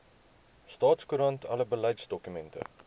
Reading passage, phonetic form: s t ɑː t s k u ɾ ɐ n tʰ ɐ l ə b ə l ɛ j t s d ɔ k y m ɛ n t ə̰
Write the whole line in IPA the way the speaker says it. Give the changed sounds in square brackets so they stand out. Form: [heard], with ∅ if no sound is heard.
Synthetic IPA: s t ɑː t s k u ɾ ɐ n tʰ ɐ l ə b ə l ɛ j t s d ɔ k y m ɛ n t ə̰